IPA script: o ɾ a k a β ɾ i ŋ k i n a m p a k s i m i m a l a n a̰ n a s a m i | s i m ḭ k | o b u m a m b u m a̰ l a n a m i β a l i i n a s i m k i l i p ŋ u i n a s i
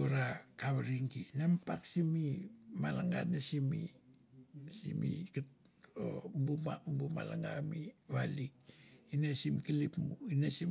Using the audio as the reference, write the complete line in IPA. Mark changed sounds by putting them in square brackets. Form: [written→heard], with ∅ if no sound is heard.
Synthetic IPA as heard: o ɾ a k a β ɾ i ŋ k i n a m p a k s i m i m a l a [n→ŋ] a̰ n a s [a→i] m i | s i m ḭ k | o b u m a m b u m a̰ l a [n→ŋ] a m i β a l i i n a s i m k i l i p [ŋ→m] u i n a s i